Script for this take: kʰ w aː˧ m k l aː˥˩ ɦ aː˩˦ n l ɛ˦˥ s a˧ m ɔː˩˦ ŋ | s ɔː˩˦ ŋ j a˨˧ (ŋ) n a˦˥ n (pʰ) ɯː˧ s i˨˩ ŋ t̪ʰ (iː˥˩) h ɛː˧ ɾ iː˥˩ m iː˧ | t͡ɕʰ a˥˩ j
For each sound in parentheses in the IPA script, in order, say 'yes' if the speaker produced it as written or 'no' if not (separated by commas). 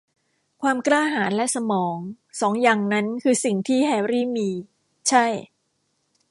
yes, no, yes